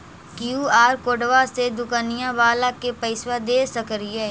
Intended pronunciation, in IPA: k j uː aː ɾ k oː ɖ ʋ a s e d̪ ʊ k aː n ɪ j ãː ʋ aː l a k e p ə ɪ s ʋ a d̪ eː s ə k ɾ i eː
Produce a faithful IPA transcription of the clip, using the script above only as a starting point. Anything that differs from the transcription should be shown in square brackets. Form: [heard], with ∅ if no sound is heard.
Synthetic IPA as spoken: k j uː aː ɾ k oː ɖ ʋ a s e d̪ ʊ k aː n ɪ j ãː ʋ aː l a k e p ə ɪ s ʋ a d̪ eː s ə k ɾ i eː